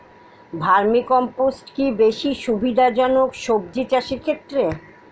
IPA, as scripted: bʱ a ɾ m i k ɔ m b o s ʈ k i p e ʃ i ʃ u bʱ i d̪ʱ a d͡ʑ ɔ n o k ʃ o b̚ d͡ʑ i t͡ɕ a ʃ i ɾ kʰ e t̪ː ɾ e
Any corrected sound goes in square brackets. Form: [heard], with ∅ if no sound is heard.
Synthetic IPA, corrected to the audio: bʱ a ɾ m i k ɔ m [p] o s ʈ k i [b] e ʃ i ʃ u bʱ i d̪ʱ a d͡ʑ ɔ n o k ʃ o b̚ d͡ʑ i t͡ɕ a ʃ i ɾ kʰ e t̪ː ɾ e

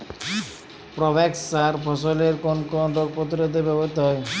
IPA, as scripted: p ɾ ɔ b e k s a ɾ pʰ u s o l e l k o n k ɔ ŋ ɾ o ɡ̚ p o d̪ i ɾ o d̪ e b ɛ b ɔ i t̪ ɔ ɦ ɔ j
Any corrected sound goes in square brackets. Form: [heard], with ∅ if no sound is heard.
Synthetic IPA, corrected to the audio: p ɾ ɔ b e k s a ɾ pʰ [ɔ] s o l e [ɾ] k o n k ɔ [n] ɾ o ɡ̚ p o [t̪] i ɾ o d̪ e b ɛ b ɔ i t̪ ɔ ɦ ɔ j

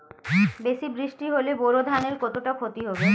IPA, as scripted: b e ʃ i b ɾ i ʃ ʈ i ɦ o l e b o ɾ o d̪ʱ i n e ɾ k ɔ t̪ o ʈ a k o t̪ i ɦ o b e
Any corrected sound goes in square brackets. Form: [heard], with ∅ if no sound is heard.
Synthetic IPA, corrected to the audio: b e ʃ i b ɾ i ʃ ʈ i ɦ o l e b o ɾ o d̪ʱ [a] n e ɾ k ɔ t̪ o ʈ a [kʰ] o t̪ i ɦ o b e

